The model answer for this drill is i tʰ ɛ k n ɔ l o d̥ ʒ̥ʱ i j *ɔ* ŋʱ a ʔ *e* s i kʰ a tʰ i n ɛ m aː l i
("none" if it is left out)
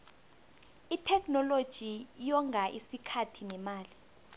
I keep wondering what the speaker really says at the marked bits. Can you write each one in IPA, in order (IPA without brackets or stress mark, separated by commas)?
ɔ, i